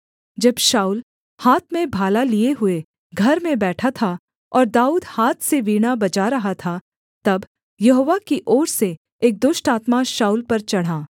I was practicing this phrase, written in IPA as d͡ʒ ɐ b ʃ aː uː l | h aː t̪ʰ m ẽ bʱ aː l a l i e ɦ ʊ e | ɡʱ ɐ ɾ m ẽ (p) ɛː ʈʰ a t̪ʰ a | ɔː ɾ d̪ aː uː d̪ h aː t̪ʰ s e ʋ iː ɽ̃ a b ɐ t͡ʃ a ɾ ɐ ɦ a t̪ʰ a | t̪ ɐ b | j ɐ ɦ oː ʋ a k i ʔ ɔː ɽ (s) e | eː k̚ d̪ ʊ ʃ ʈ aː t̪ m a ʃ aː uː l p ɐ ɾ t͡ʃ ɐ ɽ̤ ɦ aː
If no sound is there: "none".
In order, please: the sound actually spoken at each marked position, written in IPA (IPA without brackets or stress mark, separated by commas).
b, s